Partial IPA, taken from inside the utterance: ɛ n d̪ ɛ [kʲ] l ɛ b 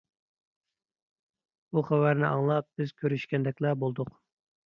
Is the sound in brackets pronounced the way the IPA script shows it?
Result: yes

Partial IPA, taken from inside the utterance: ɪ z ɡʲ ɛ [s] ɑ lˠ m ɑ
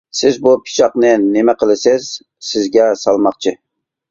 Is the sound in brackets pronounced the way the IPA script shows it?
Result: yes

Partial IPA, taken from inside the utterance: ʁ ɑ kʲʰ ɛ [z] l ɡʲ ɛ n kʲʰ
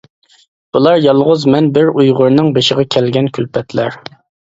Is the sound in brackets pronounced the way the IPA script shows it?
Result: no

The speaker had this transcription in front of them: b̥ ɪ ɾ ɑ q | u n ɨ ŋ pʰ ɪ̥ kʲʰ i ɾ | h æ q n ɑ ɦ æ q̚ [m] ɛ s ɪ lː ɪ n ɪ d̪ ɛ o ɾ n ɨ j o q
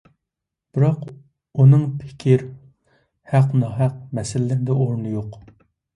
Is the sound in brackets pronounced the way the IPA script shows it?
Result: yes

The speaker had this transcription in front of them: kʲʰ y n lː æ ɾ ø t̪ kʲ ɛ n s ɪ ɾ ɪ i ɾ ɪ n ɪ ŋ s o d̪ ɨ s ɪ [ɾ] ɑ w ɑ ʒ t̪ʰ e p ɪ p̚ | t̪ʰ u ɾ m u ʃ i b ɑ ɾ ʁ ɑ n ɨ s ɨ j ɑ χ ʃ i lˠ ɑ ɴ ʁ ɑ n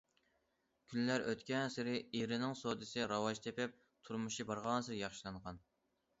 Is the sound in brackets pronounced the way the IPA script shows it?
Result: yes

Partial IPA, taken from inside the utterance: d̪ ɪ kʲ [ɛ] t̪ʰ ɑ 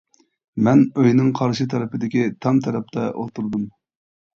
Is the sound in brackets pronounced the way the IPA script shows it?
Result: no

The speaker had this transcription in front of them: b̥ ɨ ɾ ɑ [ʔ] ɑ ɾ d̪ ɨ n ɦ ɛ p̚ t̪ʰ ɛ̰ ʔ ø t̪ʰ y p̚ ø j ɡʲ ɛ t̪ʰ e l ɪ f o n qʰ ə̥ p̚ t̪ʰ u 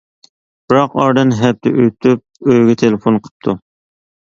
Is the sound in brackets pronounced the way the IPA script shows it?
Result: no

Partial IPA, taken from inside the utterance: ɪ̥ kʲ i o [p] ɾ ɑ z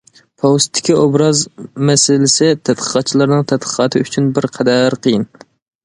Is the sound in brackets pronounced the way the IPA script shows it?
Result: no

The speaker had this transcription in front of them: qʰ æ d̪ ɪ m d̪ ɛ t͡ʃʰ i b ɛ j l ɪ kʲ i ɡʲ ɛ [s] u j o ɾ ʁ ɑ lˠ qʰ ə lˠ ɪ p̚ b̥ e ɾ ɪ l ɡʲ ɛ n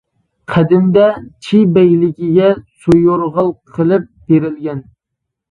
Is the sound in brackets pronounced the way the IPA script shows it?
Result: yes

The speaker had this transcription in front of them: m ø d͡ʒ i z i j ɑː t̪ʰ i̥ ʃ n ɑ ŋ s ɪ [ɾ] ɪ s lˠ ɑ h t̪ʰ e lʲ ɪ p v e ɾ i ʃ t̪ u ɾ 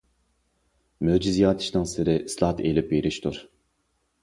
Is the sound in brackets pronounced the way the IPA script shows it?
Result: yes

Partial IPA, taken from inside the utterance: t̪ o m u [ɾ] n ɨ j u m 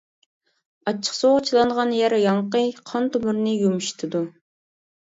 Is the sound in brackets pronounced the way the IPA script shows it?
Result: yes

